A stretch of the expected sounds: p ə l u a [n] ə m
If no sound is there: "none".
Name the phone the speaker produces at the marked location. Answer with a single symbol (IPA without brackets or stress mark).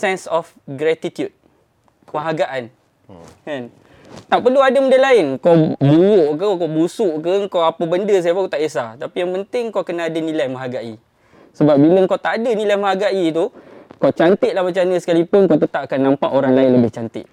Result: d